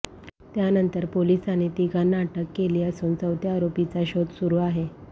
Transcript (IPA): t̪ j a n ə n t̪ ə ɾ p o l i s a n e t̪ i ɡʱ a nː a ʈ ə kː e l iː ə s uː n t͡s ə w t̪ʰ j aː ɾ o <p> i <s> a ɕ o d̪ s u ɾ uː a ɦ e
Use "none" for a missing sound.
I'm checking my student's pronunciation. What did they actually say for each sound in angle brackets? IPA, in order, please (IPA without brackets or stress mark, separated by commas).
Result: p, t͡s